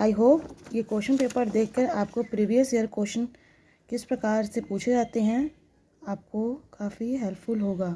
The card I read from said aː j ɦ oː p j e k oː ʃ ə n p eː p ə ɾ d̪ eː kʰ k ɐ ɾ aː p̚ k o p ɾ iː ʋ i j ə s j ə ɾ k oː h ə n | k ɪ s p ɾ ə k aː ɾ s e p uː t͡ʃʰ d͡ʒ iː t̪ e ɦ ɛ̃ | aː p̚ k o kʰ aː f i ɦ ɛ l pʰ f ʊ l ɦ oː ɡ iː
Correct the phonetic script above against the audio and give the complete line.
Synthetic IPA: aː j ɦ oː p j e k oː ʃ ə n p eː p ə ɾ d̪ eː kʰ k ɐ ɾ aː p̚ k o p ɾ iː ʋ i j ə s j ə ɾ k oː ʃ ə n | k ɪ s p ɾ ɐ k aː ɾ s e p uː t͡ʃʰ d͡ʒ aː t̪ e ɦ ɛ̃ | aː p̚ k o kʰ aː f i ɦ ɛ l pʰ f ʊ l ɦ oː ɡ aː